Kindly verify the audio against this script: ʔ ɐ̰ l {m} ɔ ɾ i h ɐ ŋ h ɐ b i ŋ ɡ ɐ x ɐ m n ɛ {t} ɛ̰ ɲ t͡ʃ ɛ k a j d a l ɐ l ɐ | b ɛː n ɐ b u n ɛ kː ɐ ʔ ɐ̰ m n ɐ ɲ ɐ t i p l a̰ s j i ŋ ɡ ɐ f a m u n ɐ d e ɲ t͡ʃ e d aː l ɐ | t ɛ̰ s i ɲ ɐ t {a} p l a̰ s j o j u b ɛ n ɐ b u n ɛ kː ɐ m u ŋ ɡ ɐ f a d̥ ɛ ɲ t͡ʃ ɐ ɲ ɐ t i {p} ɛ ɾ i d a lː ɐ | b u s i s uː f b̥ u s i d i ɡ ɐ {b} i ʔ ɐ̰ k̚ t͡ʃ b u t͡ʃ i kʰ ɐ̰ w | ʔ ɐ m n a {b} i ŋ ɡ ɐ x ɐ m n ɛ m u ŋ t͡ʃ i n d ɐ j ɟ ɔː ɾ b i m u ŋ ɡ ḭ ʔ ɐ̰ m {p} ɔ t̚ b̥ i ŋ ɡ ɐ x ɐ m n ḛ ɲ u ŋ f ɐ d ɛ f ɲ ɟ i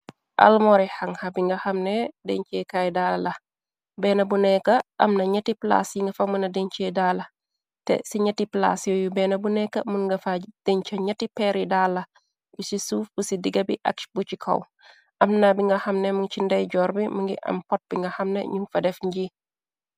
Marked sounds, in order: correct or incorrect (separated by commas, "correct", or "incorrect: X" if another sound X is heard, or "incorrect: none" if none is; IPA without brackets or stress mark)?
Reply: correct, incorrect: d, incorrect: i, correct, correct, correct, correct